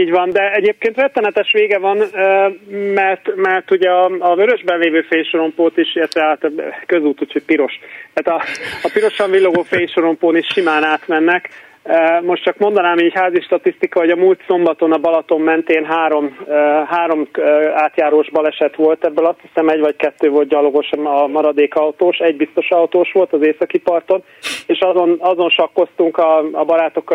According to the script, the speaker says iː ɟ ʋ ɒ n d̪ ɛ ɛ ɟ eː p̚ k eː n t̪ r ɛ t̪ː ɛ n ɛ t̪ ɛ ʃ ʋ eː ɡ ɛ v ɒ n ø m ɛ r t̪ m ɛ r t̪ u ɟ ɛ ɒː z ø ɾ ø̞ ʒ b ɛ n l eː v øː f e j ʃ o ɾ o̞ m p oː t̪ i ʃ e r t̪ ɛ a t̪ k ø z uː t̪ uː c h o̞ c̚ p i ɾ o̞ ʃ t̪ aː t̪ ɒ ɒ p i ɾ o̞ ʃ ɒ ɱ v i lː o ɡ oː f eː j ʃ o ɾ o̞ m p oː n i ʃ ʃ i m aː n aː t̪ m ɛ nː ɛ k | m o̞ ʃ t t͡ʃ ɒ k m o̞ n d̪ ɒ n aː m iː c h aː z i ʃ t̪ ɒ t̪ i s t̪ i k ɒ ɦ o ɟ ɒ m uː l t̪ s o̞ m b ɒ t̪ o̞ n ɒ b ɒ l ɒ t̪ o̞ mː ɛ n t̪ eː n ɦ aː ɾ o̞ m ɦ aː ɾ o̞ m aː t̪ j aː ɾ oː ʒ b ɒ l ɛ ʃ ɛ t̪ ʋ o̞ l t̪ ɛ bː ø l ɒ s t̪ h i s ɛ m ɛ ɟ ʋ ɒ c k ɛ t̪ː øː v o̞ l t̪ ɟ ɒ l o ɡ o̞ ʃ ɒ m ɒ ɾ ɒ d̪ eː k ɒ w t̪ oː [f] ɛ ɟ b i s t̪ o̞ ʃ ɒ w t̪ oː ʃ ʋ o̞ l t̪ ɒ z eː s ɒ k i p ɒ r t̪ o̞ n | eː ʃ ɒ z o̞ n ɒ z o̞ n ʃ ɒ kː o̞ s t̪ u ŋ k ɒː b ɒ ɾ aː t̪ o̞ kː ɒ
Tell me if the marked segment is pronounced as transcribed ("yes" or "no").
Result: no